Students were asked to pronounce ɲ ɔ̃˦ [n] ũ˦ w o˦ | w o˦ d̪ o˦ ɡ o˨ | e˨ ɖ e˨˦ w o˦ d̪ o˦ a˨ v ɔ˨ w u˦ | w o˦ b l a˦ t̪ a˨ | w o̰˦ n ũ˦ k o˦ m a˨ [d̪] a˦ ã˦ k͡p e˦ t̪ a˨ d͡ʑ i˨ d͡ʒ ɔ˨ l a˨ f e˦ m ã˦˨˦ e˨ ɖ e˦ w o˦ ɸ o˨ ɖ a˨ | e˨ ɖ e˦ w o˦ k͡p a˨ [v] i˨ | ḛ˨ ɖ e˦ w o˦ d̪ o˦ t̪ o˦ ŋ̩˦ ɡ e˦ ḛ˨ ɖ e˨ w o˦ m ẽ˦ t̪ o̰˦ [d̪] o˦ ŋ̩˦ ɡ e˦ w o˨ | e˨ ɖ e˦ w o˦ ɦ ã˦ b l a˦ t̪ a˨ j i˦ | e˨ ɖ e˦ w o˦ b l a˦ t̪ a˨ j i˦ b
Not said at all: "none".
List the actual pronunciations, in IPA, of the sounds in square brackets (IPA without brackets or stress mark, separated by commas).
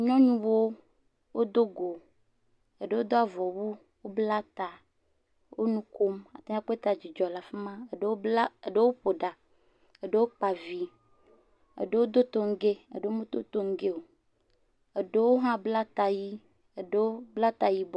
ɲ, t̪, v, t̪